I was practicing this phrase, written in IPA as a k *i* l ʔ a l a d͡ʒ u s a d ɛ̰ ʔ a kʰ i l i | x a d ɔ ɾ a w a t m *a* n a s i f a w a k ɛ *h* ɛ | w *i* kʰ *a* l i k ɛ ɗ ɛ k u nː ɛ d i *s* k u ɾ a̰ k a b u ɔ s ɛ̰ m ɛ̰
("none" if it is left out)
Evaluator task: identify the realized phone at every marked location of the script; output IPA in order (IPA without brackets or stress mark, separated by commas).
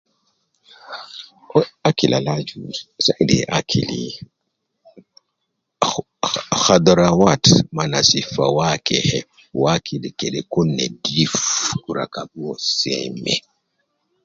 i, a, h, a, i, f